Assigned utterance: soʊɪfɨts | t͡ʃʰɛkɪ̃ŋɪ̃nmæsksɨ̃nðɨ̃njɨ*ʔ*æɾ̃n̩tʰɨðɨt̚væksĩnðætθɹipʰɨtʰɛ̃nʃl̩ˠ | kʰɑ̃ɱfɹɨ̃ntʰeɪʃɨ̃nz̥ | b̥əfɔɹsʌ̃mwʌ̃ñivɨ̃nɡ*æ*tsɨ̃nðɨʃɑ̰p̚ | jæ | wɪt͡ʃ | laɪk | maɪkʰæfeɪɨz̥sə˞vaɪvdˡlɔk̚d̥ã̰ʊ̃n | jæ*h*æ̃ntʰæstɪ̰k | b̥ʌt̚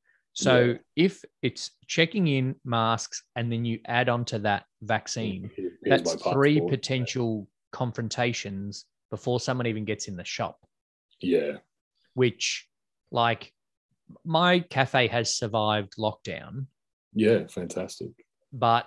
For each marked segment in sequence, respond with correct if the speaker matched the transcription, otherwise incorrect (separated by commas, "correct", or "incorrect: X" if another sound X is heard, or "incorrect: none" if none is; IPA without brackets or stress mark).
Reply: correct, incorrect: ɛ, incorrect: f